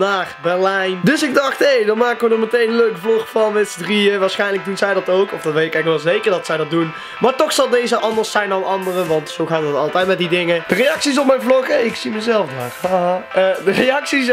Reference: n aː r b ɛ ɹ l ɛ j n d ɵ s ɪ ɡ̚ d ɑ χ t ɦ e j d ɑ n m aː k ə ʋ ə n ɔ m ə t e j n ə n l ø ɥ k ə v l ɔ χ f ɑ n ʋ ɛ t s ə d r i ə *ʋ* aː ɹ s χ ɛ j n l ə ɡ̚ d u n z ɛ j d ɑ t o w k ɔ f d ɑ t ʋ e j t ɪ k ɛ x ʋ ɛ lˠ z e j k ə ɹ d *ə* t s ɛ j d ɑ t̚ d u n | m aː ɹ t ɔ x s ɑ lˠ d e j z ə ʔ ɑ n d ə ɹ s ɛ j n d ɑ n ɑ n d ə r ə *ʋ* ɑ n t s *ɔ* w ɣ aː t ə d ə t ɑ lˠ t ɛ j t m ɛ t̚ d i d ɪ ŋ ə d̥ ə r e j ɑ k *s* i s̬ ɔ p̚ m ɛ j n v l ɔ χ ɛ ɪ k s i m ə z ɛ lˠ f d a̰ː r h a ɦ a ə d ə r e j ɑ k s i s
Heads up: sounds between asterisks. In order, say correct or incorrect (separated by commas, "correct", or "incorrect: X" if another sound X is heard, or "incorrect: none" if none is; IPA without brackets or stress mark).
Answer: correct, incorrect: ɑ, correct, incorrect: o, correct